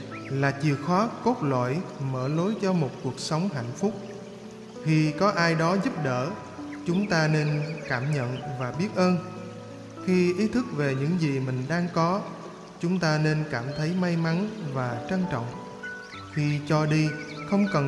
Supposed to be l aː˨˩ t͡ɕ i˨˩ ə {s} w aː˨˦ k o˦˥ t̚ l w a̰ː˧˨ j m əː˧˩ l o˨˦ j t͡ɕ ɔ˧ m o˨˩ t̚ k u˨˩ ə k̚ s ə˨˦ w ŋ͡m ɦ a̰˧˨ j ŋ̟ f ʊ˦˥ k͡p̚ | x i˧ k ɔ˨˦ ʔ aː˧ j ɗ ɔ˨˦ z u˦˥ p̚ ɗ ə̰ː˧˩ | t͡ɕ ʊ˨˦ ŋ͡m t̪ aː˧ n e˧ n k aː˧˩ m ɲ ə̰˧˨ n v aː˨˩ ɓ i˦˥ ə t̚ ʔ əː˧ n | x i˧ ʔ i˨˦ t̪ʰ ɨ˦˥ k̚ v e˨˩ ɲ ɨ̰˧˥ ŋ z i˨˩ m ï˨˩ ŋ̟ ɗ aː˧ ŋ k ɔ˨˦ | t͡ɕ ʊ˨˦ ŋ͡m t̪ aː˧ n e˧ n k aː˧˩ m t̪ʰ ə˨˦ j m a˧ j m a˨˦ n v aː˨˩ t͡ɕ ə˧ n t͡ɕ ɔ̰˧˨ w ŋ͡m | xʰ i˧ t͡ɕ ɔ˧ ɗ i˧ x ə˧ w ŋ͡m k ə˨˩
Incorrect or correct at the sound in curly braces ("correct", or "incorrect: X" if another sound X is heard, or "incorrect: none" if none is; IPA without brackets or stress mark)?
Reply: incorrect: x